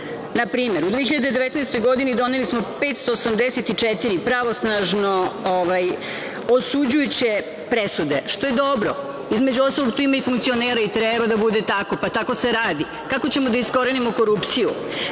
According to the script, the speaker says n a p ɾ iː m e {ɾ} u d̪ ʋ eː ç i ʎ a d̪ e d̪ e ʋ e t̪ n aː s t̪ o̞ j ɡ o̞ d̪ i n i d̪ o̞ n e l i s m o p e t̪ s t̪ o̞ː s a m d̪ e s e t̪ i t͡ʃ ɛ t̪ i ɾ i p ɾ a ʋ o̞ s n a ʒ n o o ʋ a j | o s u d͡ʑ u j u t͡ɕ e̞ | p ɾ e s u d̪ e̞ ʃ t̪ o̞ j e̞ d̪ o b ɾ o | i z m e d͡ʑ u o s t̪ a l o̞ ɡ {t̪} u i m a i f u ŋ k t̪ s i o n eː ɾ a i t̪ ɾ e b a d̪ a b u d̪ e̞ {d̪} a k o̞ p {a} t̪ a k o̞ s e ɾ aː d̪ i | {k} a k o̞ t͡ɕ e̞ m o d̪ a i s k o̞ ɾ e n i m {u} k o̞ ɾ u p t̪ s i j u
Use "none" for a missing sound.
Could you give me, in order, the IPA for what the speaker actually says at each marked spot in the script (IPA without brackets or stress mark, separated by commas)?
ɾ, t̪, t̪, a, k, o